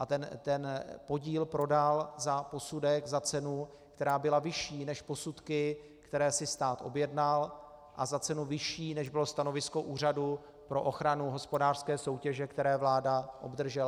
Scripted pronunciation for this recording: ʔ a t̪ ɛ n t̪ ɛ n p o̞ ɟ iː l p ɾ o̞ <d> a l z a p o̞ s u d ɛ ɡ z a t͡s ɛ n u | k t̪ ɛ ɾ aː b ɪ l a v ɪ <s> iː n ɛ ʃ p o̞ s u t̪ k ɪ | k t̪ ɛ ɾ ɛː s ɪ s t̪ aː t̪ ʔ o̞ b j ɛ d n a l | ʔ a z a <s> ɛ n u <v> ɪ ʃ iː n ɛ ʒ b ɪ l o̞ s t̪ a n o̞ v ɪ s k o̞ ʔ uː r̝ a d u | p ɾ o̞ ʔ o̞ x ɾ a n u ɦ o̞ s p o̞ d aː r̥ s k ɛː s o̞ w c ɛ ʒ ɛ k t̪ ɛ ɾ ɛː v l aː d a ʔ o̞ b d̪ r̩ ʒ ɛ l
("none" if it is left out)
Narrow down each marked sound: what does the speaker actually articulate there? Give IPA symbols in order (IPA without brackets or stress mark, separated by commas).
d, ʃ, t͡s, v